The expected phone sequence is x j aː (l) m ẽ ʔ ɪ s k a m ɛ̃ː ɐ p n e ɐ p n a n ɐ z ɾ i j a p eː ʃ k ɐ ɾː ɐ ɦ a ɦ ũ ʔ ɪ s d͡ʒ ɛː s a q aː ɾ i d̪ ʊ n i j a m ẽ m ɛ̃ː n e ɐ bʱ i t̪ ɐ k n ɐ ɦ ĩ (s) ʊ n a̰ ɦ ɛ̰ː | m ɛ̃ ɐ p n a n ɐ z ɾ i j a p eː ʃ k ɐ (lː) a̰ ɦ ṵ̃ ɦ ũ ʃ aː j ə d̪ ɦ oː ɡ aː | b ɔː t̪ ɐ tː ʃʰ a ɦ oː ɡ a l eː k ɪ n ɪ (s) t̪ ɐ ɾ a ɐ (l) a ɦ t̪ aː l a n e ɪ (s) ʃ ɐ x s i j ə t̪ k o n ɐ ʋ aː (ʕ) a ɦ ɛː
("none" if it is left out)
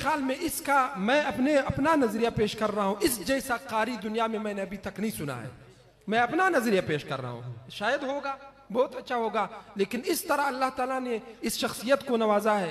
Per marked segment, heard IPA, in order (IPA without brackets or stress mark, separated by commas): l, s, ɾː, s, lː, s, z